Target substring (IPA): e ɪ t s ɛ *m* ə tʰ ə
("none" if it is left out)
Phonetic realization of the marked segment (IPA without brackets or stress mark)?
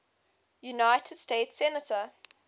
n